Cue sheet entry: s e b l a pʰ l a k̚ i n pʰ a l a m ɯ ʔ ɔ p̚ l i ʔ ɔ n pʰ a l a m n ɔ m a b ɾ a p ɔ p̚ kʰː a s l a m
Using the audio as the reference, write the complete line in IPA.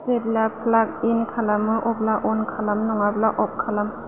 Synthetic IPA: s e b l a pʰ l a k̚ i n kʰ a l a m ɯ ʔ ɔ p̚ l a ʔ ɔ n kʰ a l a m n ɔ ŋ a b l a ʔ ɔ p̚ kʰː a l a m